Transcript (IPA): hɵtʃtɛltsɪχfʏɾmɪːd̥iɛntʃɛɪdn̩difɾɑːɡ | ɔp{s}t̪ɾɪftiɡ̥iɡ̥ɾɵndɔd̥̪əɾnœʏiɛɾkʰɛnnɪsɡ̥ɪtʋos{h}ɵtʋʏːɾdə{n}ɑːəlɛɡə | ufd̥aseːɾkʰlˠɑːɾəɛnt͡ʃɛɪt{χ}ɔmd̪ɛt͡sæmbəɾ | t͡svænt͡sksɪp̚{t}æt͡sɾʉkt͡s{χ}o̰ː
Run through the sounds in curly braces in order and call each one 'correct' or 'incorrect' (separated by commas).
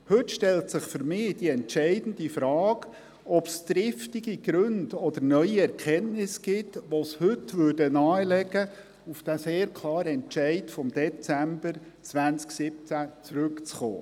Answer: correct, correct, correct, incorrect, incorrect, correct